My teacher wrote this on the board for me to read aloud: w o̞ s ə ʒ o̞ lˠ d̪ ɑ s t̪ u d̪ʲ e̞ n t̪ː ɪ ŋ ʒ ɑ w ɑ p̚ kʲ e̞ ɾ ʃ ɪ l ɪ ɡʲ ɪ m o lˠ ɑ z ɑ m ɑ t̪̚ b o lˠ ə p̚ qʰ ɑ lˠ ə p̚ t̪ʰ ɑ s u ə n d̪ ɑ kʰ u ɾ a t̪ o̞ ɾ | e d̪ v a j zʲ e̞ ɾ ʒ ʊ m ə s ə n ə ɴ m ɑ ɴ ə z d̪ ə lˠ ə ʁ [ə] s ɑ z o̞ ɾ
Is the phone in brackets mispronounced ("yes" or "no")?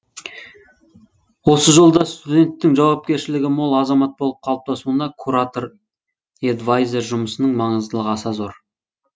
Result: yes